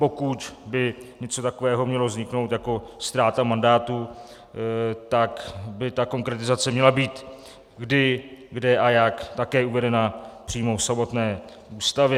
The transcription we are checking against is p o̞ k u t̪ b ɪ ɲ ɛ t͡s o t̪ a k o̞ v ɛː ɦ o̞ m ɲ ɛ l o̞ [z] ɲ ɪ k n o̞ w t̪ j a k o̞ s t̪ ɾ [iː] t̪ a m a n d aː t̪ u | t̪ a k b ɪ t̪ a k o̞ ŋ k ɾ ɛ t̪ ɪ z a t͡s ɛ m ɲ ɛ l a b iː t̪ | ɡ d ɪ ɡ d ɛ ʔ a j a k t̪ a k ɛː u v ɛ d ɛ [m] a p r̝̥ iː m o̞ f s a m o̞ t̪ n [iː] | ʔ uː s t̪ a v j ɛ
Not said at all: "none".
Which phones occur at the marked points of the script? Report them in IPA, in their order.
z, aː, n, ɛː

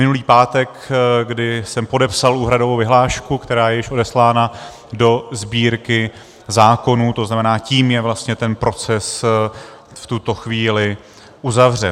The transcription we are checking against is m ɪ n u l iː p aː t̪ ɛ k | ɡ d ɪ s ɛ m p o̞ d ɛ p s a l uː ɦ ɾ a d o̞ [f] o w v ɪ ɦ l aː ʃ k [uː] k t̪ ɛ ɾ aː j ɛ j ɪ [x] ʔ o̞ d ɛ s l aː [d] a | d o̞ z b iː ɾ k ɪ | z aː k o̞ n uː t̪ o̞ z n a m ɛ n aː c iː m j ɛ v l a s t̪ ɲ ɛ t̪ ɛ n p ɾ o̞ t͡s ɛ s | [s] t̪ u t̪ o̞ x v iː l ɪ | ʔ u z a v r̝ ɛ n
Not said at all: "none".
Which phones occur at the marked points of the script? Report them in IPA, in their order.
v, u, ʃ, n, f

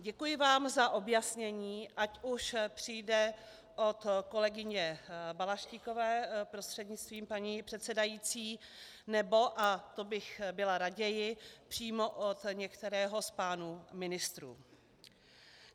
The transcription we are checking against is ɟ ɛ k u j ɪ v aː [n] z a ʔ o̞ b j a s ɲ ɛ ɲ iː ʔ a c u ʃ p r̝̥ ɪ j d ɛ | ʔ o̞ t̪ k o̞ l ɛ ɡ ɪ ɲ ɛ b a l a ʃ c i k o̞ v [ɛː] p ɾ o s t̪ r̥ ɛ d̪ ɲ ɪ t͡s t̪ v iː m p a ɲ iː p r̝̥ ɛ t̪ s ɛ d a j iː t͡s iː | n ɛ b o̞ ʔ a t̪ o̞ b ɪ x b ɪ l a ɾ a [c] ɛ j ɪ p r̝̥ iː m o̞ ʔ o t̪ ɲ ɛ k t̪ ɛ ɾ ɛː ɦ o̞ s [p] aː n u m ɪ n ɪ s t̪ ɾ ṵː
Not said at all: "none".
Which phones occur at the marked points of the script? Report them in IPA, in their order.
m, ɛː, ɟ, p

